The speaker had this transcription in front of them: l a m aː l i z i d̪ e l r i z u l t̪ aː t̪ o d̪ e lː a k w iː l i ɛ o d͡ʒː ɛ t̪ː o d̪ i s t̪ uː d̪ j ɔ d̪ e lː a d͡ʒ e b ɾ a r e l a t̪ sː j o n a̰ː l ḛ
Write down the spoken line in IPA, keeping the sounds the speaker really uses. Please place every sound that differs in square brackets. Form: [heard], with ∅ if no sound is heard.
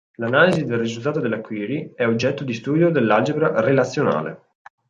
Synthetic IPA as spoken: l a [n] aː l i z i d̪ e l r i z u l t̪ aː t̪ o d̪ e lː a k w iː [ɾ] i ɛ o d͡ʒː ɛ t̪ː o d̪ i s t̪ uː d̪ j [o] d̪ e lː a d͡ʒ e b ɾ a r e l a t̪ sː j o n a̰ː l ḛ